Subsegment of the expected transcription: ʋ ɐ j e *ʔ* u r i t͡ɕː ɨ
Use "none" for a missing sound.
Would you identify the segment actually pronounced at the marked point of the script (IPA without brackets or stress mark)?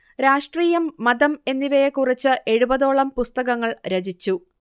k